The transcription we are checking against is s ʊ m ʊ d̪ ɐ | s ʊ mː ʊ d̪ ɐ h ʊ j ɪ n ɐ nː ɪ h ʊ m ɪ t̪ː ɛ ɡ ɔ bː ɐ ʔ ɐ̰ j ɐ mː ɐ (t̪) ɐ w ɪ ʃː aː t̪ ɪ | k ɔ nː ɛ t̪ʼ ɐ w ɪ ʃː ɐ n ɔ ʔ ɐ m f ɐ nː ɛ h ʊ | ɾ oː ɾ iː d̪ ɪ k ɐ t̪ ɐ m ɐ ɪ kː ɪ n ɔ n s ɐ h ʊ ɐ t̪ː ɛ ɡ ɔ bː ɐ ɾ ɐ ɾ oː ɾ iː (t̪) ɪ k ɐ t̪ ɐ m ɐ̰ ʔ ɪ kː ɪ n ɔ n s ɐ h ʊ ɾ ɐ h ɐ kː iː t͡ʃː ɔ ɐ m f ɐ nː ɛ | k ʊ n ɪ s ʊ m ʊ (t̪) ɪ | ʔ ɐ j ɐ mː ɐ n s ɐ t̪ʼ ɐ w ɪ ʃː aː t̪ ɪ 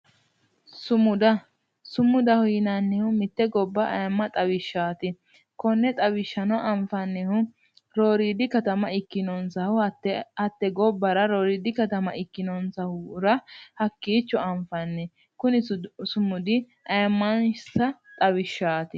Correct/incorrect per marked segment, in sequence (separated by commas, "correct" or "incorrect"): incorrect, incorrect, incorrect